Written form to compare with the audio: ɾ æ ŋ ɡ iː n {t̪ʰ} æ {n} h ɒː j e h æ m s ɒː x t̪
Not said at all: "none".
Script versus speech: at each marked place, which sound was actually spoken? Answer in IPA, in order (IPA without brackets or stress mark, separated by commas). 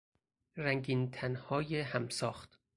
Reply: t̪ʰ, n